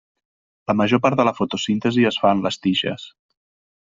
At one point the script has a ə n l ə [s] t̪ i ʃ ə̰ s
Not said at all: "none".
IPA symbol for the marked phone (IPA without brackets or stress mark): s